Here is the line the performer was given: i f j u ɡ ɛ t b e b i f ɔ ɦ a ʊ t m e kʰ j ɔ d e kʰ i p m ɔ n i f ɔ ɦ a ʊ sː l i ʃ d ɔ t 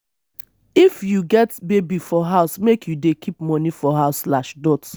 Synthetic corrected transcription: i f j u ɡ ɛ t b e b i f ɔ ɦ a ʊ s m e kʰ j u d e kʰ i p m ɔ n i f ɔ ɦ a ʊ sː l a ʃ d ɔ t